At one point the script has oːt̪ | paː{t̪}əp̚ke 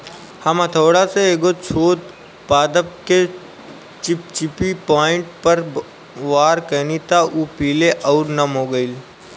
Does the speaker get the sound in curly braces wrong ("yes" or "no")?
yes